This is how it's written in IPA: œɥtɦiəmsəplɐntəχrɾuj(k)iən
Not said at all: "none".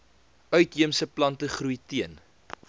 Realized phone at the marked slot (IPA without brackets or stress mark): t